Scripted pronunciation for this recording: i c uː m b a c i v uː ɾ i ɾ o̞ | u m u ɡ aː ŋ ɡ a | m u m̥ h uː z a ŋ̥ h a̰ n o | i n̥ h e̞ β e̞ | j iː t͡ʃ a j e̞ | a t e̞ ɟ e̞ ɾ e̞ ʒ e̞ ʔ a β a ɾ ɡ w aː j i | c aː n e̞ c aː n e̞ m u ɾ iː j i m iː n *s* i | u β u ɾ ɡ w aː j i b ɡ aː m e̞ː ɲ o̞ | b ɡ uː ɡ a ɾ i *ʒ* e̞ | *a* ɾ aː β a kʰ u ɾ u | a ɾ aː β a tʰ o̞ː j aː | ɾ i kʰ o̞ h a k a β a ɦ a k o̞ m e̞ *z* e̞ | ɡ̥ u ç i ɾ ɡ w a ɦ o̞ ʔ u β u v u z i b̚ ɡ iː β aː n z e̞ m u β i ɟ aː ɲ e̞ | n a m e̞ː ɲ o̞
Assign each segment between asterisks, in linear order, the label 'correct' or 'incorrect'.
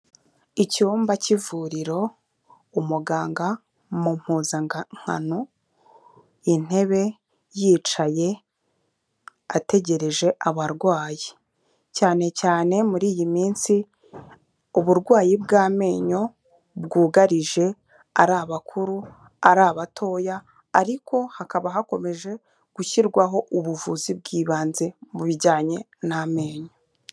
correct, correct, correct, incorrect

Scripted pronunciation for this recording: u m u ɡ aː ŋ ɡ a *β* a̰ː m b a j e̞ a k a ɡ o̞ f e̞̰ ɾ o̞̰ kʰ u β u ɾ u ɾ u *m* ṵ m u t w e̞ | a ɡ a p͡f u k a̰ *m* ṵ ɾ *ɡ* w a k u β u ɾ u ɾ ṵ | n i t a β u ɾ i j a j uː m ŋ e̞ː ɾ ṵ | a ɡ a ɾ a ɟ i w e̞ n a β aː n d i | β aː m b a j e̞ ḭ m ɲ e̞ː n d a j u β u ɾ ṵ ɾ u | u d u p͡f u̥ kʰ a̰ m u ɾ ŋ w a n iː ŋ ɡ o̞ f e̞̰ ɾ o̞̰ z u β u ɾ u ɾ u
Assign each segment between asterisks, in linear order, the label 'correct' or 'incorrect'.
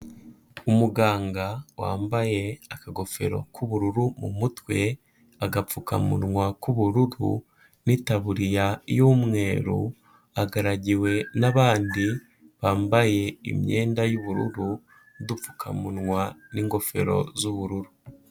incorrect, correct, correct, incorrect

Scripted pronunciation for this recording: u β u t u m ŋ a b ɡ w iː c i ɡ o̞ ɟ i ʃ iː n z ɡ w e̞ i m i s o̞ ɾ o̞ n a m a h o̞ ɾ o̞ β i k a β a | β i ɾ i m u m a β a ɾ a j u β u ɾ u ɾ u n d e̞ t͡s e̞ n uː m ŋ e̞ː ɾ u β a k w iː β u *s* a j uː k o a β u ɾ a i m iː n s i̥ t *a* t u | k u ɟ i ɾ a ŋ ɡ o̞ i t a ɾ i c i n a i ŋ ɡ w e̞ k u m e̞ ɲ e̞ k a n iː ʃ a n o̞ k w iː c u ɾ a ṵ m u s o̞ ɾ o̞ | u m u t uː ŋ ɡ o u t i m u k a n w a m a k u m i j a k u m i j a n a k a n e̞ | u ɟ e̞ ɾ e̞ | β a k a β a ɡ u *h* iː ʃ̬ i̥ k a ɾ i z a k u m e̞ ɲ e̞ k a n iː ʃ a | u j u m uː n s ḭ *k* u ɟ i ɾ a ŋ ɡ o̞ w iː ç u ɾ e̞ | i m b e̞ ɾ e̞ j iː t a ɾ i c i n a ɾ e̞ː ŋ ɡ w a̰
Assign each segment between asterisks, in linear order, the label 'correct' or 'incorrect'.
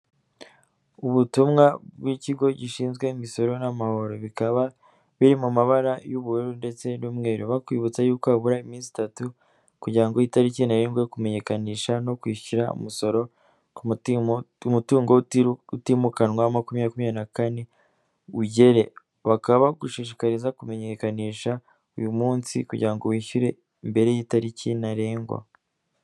incorrect, correct, incorrect, correct

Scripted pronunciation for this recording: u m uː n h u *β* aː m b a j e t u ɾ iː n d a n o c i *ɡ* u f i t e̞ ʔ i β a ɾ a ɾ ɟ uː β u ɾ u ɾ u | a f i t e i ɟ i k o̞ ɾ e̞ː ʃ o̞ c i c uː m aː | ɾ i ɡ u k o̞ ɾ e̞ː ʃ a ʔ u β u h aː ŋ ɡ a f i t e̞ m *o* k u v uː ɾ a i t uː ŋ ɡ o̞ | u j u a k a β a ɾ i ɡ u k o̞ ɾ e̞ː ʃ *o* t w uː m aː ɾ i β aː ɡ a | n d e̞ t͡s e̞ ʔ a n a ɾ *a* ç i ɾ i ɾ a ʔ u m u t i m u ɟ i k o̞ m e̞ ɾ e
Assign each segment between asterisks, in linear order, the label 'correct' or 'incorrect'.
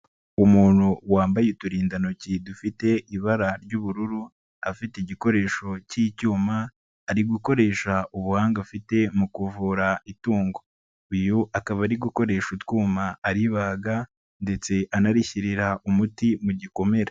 incorrect, incorrect, incorrect, incorrect, incorrect

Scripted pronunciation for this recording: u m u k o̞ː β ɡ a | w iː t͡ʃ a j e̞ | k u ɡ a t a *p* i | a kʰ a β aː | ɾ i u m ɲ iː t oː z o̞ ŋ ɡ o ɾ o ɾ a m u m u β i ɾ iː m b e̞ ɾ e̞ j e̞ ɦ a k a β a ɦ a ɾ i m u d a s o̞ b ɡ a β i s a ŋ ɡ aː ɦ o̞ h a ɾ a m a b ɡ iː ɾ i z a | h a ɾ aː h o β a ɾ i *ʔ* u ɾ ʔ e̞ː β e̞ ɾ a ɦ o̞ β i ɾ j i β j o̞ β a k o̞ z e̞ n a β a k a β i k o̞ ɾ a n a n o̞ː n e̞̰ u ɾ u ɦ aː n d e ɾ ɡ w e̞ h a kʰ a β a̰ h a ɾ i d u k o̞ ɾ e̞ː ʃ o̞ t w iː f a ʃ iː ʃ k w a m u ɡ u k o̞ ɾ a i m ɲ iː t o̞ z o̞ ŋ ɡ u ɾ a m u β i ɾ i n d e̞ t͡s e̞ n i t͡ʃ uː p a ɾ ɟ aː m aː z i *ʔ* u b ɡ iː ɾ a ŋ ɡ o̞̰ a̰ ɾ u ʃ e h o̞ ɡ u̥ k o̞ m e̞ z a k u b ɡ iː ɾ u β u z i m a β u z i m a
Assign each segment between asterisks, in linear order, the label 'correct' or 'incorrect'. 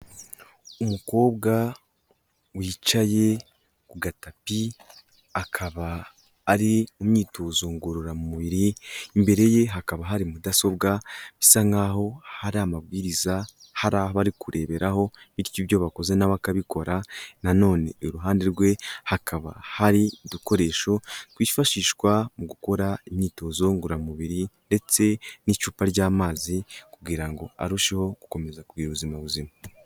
correct, incorrect, incorrect

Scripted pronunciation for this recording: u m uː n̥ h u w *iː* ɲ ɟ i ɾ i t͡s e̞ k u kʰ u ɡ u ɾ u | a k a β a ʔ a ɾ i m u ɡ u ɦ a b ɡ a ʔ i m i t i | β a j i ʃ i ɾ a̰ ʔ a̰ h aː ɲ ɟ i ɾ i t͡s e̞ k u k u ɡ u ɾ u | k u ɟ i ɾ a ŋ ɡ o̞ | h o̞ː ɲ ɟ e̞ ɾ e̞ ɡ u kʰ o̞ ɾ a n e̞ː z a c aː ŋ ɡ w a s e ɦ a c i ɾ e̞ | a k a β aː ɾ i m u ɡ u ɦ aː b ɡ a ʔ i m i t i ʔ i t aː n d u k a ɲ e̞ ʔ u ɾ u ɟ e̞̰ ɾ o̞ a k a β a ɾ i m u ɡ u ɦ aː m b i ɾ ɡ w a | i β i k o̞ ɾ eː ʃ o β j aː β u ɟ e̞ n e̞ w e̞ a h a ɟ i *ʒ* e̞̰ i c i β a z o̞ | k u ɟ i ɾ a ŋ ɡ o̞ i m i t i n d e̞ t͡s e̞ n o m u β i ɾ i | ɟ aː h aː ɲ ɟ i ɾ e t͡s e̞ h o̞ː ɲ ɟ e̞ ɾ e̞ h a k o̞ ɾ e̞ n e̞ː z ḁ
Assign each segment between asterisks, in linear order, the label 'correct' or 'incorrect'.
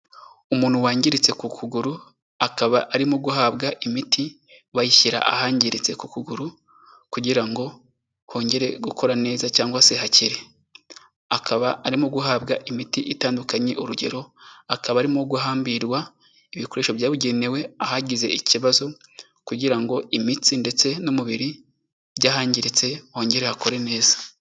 incorrect, incorrect

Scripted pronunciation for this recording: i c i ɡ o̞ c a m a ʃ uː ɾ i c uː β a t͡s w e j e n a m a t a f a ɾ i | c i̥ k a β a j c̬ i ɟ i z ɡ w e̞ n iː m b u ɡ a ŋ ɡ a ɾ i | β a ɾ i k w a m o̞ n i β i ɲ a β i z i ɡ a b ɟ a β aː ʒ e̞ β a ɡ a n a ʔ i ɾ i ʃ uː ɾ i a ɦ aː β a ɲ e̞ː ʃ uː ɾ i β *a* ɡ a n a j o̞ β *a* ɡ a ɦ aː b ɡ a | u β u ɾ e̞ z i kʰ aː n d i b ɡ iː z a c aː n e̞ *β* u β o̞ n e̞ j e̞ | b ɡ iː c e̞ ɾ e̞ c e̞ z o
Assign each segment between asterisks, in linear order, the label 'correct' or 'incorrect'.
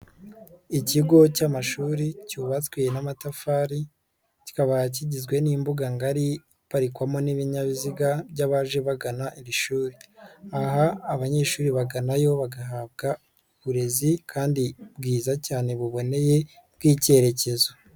correct, correct, correct

